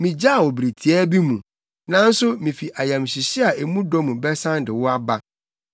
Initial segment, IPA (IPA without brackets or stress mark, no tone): m